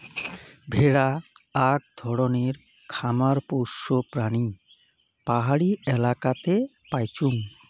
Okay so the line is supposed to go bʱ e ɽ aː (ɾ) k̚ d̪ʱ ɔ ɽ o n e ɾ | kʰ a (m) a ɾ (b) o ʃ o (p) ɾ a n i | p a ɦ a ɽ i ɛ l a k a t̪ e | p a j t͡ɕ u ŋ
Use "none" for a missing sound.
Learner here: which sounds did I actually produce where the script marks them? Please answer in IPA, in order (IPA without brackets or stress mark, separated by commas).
none, m, p, p